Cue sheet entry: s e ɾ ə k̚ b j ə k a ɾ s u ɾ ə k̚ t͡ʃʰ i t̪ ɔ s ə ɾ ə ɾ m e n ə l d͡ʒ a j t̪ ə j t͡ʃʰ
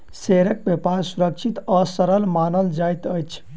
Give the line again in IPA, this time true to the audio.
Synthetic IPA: s e ɾ ə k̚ b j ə p a ɾ s u ɾ ə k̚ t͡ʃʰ i t̪ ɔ s ə ɾ ə l m a n ə l d͡ʒ a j t̪ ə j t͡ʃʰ